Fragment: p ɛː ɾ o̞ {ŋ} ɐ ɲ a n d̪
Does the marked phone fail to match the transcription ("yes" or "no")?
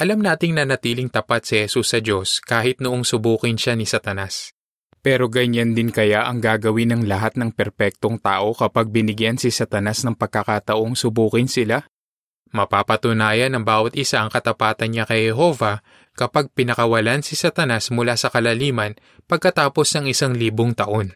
yes